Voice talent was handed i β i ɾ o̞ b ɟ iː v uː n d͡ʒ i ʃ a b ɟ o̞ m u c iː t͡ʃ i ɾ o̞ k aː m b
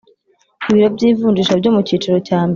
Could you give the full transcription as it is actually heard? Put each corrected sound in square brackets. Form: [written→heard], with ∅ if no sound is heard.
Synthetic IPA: i β i ɾ o̞ b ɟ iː v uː n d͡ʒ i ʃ a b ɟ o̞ m u c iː t͡ʃ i ɾ o̞ [k→c] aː m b